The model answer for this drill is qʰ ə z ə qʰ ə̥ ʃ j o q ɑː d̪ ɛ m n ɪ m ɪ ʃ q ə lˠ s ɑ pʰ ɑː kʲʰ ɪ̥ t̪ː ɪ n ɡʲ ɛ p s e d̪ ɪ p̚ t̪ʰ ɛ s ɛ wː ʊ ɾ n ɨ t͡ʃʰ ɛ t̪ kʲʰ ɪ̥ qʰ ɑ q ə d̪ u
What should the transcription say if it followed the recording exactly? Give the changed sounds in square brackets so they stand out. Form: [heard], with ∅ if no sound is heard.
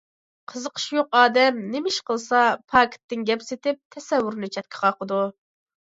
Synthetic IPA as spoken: qʰ ə z ə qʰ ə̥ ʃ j o q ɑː d̪ ɛ m n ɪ m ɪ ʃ q ə lˠ s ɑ pʰ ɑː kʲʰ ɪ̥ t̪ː ɪ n ɡʲ ɛ p s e [t̪] ɪ p̚ t̪ʰ ɛ s ɛ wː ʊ ɾ n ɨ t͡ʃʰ ɛ t̪ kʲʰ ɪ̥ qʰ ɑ q ə d̪ u